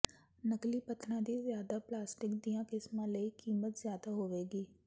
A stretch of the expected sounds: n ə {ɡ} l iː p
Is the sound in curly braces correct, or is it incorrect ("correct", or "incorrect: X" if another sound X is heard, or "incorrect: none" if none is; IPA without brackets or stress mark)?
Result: incorrect: k